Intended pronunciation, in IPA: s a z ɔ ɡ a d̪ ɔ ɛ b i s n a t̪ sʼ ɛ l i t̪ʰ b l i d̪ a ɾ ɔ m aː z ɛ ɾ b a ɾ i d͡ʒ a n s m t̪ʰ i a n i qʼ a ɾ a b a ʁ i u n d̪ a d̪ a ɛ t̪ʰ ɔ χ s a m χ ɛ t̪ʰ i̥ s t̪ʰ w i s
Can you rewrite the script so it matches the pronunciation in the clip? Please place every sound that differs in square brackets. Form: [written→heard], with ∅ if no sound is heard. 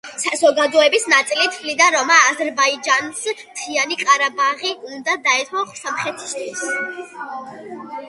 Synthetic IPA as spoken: s a z ɔ ɡ a d̪ ɔ ɛ b i s n a t̪ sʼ [ɛ→i] l i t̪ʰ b l i d̪ a ɾ ɔ m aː z ɛ ɾ b a [ɾ→∅] i d͡ʒ a n s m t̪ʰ i a n i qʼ a ɾ a b a ʁ i u n d̪ a d̪ a ɛ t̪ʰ ɔ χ s a m χ ɛ t̪ʰ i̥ s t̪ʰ w i s

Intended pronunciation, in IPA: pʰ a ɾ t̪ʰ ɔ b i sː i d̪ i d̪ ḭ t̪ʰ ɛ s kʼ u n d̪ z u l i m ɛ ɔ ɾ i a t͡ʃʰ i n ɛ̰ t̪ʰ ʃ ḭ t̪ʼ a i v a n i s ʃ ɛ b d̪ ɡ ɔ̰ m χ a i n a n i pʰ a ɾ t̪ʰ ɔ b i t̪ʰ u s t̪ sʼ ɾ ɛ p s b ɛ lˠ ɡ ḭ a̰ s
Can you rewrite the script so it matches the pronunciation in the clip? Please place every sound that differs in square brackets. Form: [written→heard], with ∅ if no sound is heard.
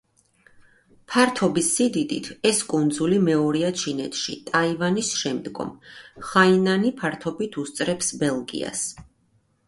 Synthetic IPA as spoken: pʰ a ɾ t̪ʰ ɔ b i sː i d̪ i d̪ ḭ t̪ʰ ɛ s kʼ u n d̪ z u l i m ɛ ɔ ɾ i a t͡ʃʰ i n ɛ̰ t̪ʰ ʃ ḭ t̪ʼ a i v a n i s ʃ ɛ [b→m] d̪ ɡ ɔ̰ m χ a i n a n i pʰ a ɾ t̪ʰ ɔ b i t̪ʰ u s t̪ sʼ ɾ ɛ p s b ɛ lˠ ɡ ḭ a̰ s

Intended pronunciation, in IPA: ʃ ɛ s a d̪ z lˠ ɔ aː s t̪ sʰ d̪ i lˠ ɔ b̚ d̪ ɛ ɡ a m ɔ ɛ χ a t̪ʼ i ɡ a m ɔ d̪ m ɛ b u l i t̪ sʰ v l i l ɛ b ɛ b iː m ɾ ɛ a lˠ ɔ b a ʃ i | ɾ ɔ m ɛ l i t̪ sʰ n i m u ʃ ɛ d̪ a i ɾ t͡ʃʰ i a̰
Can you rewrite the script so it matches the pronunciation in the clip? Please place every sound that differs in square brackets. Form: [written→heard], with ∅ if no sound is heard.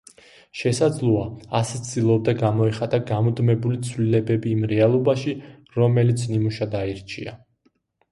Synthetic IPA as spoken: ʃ ɛ s a d̪ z lˠ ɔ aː s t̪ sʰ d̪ i lˠ ɔ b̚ d̪ [ɛ→a] ɡ a m ɔ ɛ χ a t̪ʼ [i→a] ɡ a m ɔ d̪ m ɛ b u l i t̪ sʰ v l i l ɛ b ɛ b iː m ɾ ɛ a lˠ ɔ b a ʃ i | ɾ ɔ m ɛ l i t̪ sʰ n i m u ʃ [ɛ→a] d̪ a i ɾ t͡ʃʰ i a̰

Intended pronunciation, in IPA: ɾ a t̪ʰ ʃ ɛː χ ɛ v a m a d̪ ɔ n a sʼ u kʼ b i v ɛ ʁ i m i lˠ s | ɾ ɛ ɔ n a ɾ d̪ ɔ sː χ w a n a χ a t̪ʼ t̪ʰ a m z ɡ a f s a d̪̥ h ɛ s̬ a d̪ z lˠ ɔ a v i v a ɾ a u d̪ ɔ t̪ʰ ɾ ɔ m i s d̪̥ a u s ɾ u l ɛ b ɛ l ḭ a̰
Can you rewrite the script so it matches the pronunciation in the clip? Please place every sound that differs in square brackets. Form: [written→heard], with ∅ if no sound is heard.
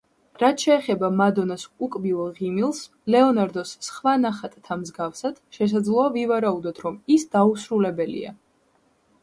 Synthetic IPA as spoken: ɾ a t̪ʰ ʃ ɛː χ ɛ [v→b] a m a d̪ ɔ n a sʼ u kʼ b i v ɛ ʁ i m i lˠ s | [ɾ→l] ɛ ɔ n a ɾ d̪ ɔ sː χ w a n a χ a t̪ʼ t̪ʰ a m z ɡ a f s a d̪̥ [h→ʃ] ɛ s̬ a d̪ z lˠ ɔ a v i v a ɾ a u d̪ ɔ t̪ʰ ɾ ɔ m i s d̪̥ a u s ɾ u l ɛ b ɛ l ḭ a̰

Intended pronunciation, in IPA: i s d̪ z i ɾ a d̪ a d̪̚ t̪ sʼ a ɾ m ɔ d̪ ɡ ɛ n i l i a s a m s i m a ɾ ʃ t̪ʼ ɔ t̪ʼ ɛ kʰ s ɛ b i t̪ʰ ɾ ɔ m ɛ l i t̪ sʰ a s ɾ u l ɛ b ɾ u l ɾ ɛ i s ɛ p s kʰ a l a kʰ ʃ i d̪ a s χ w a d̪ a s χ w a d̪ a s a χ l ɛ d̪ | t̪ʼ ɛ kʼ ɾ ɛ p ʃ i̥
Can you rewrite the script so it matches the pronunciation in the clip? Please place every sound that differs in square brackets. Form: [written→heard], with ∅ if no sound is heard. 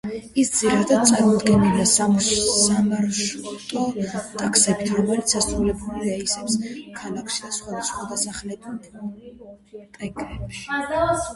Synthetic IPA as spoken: i s d̪ z i ɾ a d̪ a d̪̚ t̪ sʼ a ɾ m ɔ d̪ ɡ ɛ n i l i a s a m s [i→a] m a ɾ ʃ t̪ʼ ɔ t̪ʼ [ɛ→a] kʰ s ɛ b i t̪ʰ ɾ ɔ m ɛ l i t̪ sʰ a s ɾ u l ɛ b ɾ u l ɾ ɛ i s ɛ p s kʰ a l a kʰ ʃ i d̪ a s χ w a d̪ a s χ w a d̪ a s a χ l ɛ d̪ | t̪ʼ ɛ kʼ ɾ ɛ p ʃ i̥

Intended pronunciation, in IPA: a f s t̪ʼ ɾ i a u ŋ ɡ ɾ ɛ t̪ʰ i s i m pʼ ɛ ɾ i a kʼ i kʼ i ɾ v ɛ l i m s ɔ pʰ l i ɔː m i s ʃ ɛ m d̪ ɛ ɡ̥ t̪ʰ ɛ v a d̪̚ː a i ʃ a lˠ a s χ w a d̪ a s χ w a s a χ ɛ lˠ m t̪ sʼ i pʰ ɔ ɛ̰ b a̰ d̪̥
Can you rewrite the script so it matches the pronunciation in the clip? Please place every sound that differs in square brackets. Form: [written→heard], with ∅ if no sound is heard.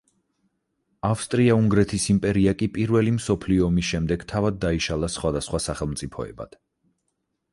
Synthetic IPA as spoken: a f s t̪ʼ ɾ i a u ŋ ɡ ɾ ɛ t̪ʰ i s i m pʼ ɛ ɾ i a kʼ i [kʼ→pʼ] i ɾ v ɛ l i m s ɔ pʰ l i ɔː m i s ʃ ɛ m d̪ ɛ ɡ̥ t̪ʰ [ɛ→a] v a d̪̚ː a i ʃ a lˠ a s χ w a d̪ a s χ w a s a χ ɛ lˠ m t̪ sʼ i pʰ ɔ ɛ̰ b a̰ d̪̥

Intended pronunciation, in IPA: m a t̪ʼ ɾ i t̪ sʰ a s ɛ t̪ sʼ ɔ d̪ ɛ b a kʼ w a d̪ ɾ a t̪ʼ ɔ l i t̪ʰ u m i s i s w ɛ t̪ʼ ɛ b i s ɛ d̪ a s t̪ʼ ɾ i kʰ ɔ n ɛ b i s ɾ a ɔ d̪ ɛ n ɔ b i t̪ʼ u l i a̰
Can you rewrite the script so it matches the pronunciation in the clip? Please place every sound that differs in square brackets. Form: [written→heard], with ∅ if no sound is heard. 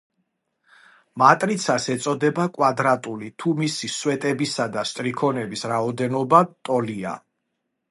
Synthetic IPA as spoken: m a t̪ʼ ɾ i t̪ sʰ a s ɛ t̪ sʼ ɔ d̪ ɛ b a kʼ w a d̪ ɾ a t̪ʼ [ɔ→u] l i t̪ʰ u m i s i s w ɛ t̪ʼ ɛ b i s [ɛ→a] d̪ a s t̪ʼ ɾ i kʰ ɔ n ɛ b i s ɾ a ɔ d̪ ɛ n ɔ b [i→a] t̪ʼ [u→ɔ] l i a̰

